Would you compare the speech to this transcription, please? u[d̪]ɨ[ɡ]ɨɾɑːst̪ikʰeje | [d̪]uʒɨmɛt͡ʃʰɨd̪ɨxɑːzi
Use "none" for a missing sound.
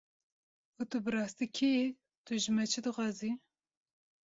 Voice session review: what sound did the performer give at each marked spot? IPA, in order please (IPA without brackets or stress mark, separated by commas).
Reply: t̪, b, t̪